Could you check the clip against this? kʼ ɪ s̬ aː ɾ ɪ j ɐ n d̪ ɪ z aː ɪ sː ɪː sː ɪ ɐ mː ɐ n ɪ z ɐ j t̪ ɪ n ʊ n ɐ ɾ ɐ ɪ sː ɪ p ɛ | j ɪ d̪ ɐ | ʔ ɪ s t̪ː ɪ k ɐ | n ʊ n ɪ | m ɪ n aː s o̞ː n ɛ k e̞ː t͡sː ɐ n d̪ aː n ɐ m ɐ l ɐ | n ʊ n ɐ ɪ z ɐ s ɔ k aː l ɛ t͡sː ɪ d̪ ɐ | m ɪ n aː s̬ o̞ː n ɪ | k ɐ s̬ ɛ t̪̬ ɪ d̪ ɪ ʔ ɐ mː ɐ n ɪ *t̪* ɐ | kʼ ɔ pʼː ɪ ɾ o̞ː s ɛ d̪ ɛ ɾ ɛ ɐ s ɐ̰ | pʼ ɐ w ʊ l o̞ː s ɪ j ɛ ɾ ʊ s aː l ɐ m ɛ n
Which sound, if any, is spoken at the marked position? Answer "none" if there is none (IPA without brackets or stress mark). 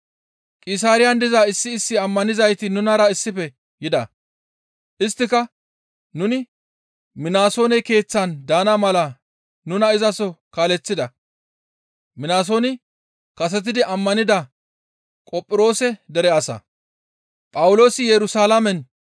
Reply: d̪